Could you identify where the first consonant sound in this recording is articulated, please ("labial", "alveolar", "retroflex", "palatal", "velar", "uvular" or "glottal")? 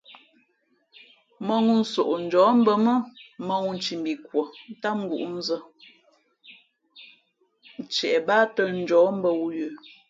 labial